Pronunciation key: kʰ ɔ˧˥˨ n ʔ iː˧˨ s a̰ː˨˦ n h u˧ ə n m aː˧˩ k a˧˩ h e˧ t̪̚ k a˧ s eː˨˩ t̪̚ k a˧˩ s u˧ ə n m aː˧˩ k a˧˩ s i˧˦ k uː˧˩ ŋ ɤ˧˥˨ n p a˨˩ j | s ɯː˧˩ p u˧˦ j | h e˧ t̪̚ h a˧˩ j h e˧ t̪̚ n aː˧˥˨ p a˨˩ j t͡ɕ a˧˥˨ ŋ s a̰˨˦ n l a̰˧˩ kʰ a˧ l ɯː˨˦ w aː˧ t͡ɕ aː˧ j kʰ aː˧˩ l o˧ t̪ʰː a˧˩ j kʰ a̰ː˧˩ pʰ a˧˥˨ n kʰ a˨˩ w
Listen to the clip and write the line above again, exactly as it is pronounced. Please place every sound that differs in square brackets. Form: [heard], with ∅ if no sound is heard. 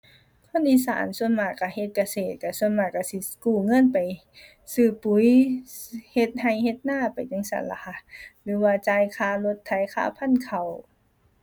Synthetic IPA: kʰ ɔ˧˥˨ n ʔ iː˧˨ s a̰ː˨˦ n [s] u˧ ə n m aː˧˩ k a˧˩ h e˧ t̪̚ k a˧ s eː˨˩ t̪̚ k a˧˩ s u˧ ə n m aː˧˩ k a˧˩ s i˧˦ k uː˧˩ ŋ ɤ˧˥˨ n p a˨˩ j | s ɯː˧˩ p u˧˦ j | h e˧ t̪̚ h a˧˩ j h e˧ t̪̚ n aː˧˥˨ p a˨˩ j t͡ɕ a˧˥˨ ŋ s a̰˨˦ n l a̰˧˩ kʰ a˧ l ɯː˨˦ w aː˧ t͡ɕ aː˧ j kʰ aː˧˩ l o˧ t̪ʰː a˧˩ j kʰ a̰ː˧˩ pʰ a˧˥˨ n kʰ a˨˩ w